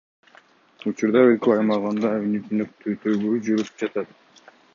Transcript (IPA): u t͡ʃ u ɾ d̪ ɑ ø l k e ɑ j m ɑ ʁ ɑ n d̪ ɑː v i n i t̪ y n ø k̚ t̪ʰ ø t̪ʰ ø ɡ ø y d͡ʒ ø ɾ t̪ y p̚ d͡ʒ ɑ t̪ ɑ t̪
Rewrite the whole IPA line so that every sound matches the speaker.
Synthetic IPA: u t͡ʃ u ɾ d̪ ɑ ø l k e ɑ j m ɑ ʁ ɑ n d̪ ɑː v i n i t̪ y n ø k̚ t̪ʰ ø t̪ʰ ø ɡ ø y d͡ʒ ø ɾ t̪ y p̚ d͡ʒ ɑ t̪ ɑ t̪